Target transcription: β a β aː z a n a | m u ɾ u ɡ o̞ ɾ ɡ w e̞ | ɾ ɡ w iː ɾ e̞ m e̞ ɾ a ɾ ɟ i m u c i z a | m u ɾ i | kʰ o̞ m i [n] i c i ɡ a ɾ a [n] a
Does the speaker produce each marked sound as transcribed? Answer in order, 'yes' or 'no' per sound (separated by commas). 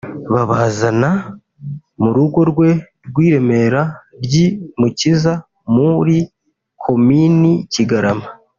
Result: yes, no